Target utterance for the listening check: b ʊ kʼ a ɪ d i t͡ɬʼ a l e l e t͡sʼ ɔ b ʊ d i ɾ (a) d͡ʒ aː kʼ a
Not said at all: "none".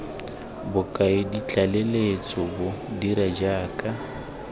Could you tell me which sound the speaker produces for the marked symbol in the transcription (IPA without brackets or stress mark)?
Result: a